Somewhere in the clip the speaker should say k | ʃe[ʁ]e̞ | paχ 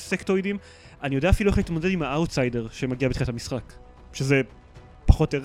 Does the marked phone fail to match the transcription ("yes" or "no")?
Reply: yes